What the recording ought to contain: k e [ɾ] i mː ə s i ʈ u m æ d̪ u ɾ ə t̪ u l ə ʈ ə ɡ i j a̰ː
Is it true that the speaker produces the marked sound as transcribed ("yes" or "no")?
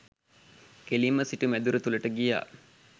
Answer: no